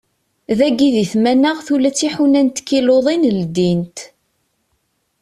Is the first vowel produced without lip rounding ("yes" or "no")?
yes